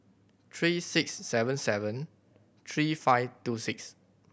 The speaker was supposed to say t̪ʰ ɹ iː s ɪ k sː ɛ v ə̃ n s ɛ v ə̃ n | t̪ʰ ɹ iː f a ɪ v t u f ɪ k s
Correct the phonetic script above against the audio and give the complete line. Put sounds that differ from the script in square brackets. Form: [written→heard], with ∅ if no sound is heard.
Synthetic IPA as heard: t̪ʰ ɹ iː s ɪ k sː ɛ v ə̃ n s ɛ v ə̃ n | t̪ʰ ɹ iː f a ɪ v t u [f→s] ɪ k s